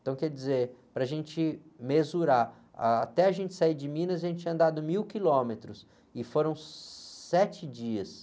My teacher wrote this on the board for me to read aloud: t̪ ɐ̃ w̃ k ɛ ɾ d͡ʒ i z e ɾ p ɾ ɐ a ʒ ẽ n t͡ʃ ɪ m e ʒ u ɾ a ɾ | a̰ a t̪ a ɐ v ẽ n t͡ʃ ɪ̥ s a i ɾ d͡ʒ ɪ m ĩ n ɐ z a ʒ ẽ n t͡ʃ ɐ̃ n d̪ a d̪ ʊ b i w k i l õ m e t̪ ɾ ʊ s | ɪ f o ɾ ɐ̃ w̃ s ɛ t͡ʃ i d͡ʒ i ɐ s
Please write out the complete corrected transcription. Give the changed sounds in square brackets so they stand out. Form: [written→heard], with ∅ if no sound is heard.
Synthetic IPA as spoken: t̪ ɐ̃ w̃ k ɛ ɾ d͡ʒ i z e ɾ p ɾ ɐ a ʒ ẽ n t͡ʃ ɪ m e [ʒ→z] u ɾ a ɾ | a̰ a t̪ [a→ɛ] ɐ [v→ʒ] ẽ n t͡ʃ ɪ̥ s a i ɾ d͡ʒ ɪ m ĩ n ɐ z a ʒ ẽ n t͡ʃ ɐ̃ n d̪ a d̪ ʊ [b→m] i w k i l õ m e t̪ ɾ ʊ s | ɪ f o ɾ ɐ̃ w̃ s ɛ t͡ʃ [i→ɪ] d͡ʒ i ɐ s